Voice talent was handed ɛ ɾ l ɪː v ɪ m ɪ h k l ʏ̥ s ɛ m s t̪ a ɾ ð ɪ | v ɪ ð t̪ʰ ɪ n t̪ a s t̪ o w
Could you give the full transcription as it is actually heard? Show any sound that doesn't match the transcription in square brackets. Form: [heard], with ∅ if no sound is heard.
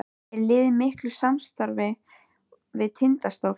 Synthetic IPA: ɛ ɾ l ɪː [ð] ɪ m ɪ h k l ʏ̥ s [a] m s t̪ a ɾ [v] ɪ | v ɪ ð t̪ʰ ɪ n t̪ a s t̪ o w